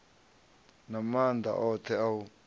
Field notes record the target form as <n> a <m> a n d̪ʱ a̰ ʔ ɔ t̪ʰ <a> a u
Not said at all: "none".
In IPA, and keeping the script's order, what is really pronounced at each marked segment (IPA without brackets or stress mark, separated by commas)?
n, m, ɛ